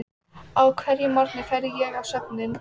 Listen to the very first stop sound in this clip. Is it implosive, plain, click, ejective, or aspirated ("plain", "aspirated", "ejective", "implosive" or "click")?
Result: aspirated